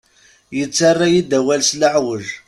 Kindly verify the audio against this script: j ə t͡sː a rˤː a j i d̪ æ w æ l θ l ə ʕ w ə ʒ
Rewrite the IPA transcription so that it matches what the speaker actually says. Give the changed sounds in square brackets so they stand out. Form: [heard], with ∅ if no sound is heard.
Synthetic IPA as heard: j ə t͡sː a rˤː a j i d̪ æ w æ l [s] l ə ʕ w ə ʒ